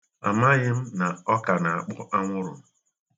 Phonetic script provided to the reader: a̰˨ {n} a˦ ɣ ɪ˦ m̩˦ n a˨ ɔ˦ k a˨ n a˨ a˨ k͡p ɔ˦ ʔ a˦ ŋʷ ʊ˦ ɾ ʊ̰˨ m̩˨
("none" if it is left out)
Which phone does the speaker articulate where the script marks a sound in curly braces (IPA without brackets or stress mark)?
m